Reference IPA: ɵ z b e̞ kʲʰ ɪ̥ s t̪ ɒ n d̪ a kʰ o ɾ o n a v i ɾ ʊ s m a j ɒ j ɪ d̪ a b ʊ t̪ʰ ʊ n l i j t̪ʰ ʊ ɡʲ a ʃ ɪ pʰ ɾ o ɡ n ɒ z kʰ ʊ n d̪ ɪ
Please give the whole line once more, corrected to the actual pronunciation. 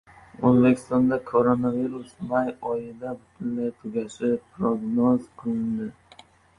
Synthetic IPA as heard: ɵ z b e̞ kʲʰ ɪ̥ s t̪ ɒ n d̪ a kʰ o ɾ o n a v i ɾ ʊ s m a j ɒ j ɪ d̪ a b ʊ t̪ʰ ʊ n l a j t̪ʰ ʊ ɡʲ a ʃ ɪ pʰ ɾ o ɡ n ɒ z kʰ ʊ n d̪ ɪ